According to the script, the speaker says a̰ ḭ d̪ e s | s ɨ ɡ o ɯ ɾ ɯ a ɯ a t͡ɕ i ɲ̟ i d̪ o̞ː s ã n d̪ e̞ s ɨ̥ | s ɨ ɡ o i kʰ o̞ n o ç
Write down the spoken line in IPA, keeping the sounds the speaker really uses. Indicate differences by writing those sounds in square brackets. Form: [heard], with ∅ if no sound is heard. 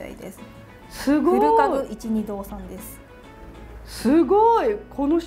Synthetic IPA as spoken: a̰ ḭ d̪ e s | s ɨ ɡ o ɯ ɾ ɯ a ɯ [i] t͡ɕ i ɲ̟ i d̪ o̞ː s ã n d̪ e̞ s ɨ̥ | s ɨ ɡ o i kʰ o̞ n o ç